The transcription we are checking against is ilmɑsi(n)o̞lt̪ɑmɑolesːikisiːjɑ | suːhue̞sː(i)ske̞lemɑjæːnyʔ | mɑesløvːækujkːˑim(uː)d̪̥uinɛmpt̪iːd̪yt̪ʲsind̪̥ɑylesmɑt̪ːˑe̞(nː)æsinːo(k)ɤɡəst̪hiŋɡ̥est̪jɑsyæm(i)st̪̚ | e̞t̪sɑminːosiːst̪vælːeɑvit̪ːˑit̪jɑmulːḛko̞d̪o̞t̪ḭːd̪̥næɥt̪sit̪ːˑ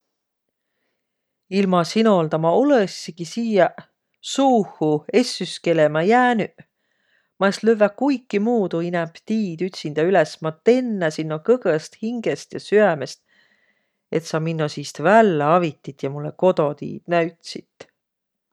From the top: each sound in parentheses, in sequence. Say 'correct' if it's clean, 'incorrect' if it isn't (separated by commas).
correct, incorrect, correct, correct, correct, incorrect